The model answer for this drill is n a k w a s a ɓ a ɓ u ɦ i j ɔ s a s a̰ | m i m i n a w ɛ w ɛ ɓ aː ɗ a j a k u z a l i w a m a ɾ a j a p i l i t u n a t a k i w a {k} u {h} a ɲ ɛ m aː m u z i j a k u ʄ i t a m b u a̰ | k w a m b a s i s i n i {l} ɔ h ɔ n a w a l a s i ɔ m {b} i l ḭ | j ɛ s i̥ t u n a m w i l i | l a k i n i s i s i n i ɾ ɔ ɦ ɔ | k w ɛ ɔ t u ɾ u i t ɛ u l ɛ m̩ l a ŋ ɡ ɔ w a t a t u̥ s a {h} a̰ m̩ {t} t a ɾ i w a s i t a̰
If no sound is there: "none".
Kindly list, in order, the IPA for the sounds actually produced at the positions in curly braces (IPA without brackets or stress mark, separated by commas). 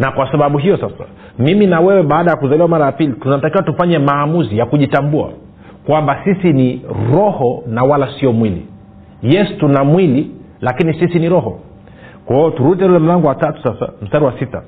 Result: t, f, ɾ, w, s, s